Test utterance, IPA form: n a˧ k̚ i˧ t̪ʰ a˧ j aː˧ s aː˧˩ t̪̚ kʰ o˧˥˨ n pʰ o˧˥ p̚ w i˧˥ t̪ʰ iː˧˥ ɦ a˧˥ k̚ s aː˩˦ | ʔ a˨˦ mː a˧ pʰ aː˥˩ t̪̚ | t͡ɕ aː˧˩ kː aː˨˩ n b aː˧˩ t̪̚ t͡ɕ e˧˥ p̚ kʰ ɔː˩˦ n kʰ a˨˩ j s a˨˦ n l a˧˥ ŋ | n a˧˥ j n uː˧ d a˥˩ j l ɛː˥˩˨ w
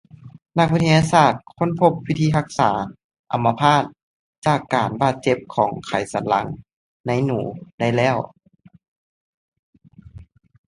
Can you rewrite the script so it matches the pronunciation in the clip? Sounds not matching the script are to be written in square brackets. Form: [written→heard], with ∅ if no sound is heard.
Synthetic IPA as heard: n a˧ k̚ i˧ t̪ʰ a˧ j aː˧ s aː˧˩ t̪̚ kʰ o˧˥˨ n pʰ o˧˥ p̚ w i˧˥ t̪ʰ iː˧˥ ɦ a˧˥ k̚ s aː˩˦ | ʔ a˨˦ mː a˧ pʰ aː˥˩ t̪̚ | t͡ɕ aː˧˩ kː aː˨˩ n b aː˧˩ t̪̚ t͡ɕ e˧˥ p̚ kʰ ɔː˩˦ [n→ŋ] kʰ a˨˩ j s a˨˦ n l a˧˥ ŋ | n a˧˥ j n [uː˧→uː˩˦] d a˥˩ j l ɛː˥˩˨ w